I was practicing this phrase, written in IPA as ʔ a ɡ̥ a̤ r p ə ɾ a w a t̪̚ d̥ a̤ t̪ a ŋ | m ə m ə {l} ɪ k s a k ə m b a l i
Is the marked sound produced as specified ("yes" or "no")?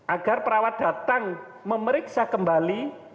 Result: no